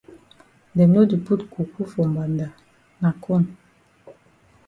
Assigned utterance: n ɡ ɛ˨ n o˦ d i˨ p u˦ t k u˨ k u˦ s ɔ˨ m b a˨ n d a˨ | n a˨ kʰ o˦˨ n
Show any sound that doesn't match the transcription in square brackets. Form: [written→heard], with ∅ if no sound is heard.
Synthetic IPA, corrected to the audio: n [ɡ→d] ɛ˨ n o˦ d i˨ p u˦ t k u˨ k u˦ [s→f] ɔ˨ m b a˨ n d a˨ | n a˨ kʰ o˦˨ n